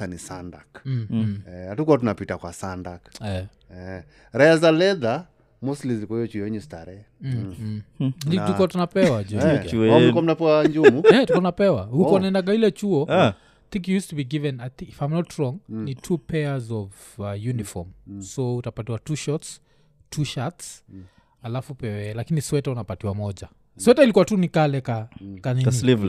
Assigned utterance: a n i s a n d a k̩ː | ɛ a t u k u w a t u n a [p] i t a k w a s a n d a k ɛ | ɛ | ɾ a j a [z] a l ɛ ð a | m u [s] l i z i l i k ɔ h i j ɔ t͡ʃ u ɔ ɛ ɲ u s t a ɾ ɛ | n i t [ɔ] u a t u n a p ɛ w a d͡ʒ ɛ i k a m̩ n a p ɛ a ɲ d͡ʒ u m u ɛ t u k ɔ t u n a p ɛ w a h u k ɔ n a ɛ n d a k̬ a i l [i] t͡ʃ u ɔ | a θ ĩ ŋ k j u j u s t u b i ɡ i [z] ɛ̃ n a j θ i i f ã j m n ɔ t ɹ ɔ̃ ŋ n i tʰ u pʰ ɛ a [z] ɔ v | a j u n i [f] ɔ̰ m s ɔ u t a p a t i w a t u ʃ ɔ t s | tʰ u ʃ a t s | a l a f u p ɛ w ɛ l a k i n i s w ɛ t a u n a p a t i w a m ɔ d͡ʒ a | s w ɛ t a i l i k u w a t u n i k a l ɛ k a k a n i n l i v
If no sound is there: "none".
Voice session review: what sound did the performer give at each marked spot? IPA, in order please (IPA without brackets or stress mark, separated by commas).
p, z, s, u, ɛ, v, z, f